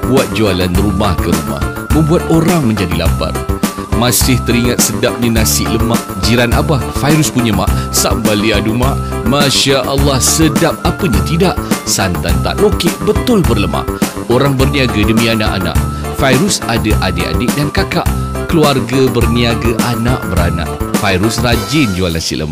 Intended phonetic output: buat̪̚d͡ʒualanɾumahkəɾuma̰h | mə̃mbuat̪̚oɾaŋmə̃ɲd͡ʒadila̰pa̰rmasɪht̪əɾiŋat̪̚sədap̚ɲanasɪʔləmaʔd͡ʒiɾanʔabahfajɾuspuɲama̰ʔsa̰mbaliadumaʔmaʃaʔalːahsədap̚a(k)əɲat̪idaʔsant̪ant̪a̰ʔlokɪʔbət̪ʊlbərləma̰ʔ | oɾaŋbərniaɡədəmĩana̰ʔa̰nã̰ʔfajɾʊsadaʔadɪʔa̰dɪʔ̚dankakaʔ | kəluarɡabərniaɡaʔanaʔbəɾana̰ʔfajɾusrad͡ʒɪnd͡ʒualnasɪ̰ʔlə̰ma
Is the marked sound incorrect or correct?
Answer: incorrect